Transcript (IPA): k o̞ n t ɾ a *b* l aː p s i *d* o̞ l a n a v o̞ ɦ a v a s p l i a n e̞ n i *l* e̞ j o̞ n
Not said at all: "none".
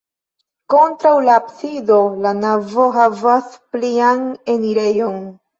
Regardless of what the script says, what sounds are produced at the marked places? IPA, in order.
w, d, ɾ

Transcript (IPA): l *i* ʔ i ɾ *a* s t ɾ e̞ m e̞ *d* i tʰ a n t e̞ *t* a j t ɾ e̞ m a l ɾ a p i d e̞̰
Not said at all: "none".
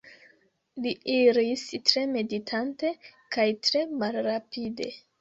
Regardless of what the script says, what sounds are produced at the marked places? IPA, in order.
i, i, d, k

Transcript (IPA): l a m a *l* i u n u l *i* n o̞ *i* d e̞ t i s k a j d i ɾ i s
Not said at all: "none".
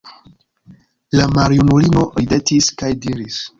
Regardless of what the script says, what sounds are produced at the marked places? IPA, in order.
ɾ, i, i

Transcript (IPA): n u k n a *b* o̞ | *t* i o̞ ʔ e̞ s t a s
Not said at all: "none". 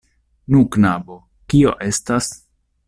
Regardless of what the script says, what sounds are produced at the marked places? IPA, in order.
b, k

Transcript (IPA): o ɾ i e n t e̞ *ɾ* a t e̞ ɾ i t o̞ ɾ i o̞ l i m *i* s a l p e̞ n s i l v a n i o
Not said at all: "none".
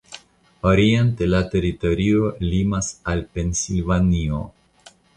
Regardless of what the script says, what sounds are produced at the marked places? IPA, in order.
l, a

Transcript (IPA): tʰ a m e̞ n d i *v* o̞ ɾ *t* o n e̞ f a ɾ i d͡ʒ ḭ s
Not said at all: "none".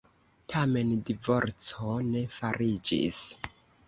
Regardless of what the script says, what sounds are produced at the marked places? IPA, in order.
v, t͡s

